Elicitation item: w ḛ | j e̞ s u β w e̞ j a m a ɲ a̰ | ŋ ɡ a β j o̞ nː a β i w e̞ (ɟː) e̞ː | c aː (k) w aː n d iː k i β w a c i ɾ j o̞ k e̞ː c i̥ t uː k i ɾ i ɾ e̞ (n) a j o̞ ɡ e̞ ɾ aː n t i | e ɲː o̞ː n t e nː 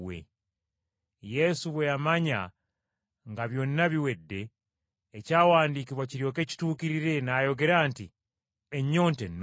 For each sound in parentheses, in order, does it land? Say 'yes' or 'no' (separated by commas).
no, no, yes